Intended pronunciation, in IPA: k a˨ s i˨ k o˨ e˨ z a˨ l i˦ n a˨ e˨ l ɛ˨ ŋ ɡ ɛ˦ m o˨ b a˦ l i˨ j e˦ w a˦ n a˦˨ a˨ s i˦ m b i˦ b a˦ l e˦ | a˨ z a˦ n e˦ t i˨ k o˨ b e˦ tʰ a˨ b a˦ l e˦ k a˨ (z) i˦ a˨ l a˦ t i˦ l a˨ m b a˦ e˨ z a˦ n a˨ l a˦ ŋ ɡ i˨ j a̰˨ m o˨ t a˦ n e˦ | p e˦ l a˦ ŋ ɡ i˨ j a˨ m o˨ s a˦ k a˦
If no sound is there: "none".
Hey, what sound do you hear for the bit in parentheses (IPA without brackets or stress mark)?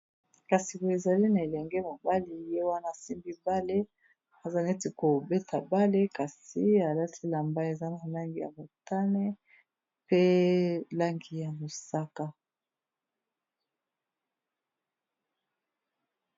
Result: s